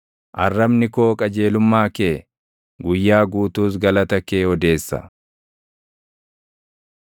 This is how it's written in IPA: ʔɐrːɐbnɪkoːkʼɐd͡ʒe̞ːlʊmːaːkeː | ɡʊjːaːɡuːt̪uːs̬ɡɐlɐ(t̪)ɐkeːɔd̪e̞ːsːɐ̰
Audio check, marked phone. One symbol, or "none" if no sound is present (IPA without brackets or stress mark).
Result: t̪